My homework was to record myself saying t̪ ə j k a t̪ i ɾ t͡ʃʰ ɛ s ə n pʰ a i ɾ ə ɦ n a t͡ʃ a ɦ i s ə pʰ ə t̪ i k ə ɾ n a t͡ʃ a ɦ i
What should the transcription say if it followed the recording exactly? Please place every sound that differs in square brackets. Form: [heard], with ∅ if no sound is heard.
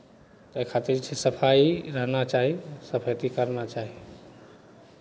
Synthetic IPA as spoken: t̪ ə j [kʰ] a t̪ i ɾ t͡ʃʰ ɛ s ə [∅] pʰ a i ɾ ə ɦ n a t͡ʃ a ɦ i s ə pʰ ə t̪ i k ə ɾ n a t͡ʃ a ɦ i